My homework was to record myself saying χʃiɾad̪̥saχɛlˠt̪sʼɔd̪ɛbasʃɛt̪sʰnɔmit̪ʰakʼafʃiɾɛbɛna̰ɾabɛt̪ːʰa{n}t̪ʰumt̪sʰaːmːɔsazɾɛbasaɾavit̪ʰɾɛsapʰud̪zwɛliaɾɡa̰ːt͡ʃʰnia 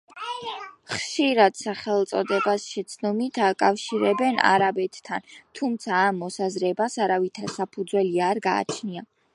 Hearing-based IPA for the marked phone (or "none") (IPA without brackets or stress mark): n